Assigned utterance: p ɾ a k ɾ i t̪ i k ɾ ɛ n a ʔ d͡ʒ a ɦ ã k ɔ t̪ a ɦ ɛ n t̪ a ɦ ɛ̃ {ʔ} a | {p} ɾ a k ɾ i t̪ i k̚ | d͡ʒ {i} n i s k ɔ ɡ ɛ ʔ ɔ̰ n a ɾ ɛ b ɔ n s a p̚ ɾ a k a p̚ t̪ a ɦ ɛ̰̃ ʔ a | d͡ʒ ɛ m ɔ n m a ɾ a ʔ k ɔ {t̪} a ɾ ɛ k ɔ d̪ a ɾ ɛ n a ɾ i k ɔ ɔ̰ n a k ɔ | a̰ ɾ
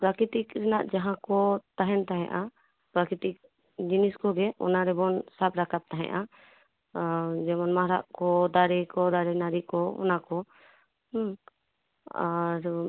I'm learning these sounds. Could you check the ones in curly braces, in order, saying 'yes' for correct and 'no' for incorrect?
yes, yes, yes, no

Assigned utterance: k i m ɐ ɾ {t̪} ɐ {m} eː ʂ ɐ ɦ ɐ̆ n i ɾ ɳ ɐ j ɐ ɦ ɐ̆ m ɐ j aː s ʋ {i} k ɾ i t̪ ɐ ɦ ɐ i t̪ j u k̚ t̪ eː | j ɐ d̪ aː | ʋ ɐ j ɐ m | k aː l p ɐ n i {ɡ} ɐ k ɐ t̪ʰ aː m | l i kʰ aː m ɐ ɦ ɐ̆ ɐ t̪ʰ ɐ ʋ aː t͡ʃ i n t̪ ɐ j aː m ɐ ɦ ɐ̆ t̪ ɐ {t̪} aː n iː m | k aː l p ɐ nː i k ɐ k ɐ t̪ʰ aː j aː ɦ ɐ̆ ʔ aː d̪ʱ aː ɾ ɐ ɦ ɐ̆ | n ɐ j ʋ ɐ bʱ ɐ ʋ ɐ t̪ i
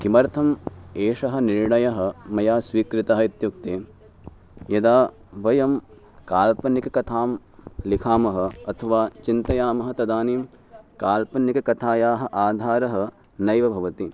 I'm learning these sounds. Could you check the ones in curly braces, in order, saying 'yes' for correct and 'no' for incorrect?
no, yes, no, no, no

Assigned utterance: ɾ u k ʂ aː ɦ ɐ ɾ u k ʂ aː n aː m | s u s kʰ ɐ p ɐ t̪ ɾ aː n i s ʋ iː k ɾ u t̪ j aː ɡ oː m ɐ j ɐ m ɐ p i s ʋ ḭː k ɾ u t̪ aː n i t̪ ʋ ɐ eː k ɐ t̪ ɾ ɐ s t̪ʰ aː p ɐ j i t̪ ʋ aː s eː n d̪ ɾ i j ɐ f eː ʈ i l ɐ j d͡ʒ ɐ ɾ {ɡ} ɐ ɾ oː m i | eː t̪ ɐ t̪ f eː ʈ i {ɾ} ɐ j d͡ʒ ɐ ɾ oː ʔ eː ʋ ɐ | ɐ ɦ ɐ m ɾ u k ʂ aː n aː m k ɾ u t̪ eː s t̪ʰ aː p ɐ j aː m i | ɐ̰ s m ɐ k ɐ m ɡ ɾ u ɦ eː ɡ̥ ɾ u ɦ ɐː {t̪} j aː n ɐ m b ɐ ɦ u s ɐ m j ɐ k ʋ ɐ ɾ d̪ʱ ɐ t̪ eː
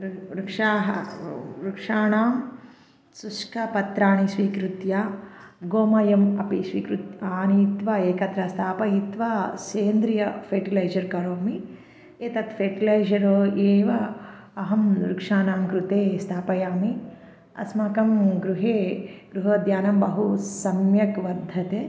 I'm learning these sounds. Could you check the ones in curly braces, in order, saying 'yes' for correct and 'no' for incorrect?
no, no, no

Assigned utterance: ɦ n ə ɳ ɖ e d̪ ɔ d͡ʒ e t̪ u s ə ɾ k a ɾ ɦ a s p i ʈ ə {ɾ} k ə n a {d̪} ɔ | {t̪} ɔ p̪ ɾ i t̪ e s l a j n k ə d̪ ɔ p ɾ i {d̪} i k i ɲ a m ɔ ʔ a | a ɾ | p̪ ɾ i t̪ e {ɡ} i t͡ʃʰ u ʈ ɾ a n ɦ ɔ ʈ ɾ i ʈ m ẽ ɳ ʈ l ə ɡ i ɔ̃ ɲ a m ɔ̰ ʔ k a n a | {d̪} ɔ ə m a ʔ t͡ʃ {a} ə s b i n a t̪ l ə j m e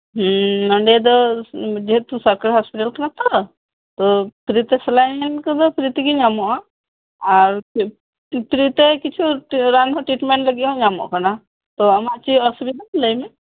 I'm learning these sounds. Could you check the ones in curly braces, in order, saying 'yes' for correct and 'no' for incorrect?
no, no, yes, no, no, no, no

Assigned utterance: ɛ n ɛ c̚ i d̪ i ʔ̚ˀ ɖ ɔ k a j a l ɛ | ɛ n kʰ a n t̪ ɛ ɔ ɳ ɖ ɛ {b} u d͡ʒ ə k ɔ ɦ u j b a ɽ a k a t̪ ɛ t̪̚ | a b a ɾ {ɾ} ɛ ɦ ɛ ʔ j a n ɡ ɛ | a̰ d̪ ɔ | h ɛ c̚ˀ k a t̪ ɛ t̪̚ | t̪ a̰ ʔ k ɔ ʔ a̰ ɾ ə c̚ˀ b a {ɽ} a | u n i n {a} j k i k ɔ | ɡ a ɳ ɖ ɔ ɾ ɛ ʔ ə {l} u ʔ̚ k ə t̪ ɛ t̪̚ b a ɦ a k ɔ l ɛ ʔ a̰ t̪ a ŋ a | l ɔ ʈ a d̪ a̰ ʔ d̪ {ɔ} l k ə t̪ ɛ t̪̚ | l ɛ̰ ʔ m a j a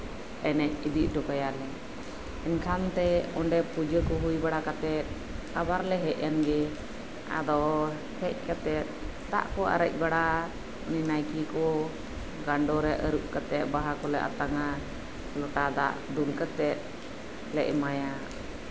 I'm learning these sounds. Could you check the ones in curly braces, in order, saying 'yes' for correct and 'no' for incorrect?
no, no, yes, yes, no, no

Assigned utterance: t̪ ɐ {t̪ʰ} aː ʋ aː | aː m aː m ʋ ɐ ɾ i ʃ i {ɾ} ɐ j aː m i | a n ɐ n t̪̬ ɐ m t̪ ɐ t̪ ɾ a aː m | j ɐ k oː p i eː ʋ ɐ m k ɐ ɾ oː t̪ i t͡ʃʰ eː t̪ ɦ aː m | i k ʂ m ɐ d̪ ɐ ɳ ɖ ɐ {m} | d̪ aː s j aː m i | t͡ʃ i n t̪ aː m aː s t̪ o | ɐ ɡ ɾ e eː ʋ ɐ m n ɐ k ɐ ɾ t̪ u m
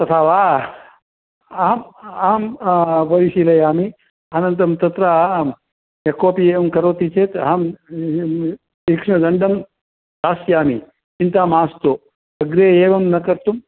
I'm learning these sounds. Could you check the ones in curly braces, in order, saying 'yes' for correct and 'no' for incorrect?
yes, no, yes

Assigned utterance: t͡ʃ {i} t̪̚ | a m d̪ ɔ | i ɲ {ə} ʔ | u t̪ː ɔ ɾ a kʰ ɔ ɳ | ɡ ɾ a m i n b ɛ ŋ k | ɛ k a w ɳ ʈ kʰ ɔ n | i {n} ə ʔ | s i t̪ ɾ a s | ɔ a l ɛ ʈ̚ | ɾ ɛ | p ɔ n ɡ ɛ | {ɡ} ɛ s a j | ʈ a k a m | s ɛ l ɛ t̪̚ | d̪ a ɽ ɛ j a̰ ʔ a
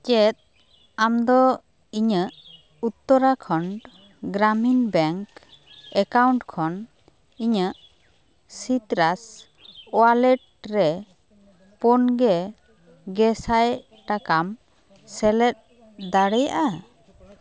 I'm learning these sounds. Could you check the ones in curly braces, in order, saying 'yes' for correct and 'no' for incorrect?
no, yes, no, yes

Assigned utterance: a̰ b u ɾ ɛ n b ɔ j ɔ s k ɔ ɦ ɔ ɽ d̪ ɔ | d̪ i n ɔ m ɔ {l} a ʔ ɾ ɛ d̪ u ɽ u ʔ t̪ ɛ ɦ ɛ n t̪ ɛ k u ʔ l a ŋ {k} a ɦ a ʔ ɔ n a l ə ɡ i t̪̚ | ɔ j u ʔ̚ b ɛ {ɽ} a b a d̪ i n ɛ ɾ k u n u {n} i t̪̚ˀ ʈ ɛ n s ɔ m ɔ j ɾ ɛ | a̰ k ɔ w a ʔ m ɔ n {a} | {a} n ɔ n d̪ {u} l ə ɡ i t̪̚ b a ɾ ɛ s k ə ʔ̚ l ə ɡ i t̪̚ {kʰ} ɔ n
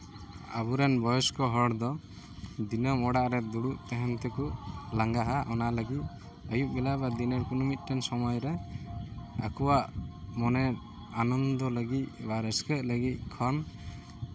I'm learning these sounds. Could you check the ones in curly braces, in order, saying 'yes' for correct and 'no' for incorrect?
no, no, no, no, no, yes, no, yes

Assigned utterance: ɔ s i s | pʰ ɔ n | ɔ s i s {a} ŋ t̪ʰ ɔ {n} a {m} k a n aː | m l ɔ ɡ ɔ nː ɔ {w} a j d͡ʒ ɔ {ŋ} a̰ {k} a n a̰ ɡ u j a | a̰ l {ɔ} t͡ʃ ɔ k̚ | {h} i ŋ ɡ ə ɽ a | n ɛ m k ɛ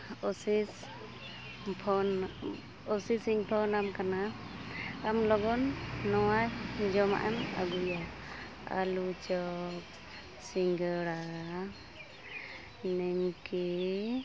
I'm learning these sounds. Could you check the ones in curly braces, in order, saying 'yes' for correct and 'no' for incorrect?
no, yes, yes, yes, no, no, no, no

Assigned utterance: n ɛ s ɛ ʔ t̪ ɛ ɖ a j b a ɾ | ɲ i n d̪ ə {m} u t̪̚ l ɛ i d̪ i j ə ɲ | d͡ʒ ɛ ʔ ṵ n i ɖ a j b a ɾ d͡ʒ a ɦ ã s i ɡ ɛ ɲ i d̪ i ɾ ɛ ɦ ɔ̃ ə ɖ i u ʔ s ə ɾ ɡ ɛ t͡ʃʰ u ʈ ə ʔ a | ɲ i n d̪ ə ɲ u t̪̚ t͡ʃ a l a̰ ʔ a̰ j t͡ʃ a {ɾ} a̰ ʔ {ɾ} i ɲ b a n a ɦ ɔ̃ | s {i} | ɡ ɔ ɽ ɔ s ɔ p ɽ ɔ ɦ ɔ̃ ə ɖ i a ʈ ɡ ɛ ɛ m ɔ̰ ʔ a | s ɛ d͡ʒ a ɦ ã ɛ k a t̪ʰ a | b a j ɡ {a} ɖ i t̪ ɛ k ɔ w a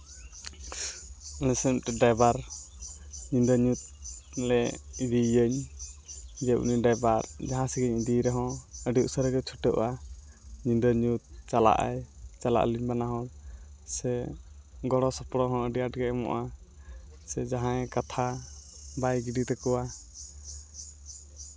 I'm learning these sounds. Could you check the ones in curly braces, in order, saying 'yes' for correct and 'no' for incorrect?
no, no, no, no, no

